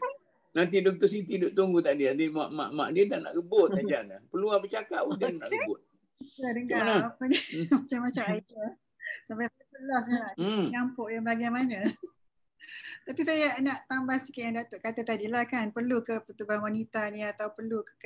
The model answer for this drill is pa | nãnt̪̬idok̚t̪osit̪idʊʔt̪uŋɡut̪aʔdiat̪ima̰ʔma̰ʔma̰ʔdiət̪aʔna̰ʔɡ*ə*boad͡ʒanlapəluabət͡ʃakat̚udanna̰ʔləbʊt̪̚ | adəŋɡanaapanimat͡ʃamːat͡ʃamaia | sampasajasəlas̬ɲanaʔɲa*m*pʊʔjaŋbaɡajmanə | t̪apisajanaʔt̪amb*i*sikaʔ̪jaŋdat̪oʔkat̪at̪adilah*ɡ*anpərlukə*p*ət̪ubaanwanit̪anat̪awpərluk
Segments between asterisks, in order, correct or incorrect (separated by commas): correct, correct, incorrect, incorrect, correct